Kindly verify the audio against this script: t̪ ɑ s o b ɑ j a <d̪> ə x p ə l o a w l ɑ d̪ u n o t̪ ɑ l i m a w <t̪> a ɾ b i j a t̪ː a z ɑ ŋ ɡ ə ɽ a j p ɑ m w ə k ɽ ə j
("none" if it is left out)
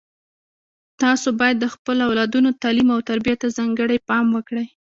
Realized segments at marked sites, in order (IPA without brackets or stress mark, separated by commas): d̪ː, t̪